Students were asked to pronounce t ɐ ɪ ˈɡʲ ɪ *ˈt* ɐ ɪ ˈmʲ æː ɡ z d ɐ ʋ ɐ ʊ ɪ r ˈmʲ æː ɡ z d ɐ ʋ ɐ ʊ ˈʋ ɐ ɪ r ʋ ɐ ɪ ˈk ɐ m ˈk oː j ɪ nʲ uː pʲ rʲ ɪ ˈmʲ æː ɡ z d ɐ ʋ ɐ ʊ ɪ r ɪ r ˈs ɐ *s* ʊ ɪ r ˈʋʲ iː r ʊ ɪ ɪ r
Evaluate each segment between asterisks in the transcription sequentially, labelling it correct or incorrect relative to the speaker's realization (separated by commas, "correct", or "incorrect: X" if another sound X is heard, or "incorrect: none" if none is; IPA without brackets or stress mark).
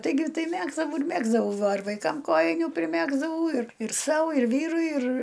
correct, incorrect: none